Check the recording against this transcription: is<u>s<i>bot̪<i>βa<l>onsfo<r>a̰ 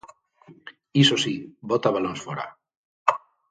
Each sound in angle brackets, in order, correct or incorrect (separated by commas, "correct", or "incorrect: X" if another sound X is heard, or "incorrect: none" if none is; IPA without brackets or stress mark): incorrect: o, correct, incorrect: a, correct, incorrect: ɾ